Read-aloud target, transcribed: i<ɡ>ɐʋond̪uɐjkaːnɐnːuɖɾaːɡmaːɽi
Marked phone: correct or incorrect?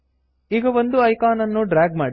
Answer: correct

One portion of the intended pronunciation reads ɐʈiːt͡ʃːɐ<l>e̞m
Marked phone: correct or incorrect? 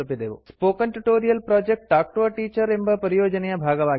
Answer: incorrect: ɾ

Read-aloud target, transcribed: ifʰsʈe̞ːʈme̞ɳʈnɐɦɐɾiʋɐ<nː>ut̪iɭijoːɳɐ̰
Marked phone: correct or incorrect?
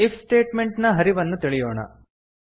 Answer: correct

